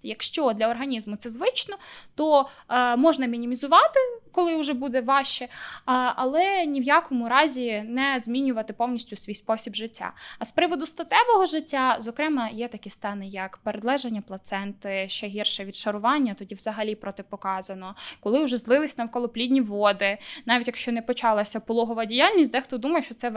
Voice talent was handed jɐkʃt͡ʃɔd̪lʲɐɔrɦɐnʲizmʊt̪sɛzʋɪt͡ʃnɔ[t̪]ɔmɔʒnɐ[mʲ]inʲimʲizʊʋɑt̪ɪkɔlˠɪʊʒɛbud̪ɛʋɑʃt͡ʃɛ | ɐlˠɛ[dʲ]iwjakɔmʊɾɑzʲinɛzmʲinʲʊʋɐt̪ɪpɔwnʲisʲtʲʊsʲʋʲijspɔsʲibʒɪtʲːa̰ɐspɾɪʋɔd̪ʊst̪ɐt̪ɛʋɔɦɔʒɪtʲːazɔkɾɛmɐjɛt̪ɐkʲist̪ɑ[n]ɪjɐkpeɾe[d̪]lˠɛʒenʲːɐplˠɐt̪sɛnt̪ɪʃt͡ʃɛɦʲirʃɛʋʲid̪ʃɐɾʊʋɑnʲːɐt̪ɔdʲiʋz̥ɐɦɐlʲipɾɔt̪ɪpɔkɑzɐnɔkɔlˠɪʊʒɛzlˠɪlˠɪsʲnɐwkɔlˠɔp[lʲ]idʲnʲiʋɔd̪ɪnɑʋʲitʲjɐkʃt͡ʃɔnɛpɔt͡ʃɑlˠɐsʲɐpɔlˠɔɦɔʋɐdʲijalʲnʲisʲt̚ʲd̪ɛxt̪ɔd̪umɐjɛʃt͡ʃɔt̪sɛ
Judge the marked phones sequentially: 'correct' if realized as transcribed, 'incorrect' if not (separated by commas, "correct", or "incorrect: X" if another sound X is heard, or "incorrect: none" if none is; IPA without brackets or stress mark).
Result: correct, correct, incorrect: nʲ, correct, correct, correct